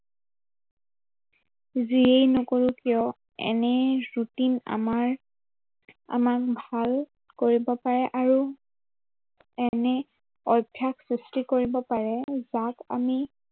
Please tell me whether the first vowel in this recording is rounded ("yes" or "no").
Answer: no